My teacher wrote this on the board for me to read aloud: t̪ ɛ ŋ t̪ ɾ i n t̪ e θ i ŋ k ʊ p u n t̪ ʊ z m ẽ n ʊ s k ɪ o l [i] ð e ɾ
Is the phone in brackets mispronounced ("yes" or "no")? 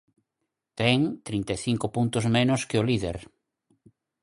no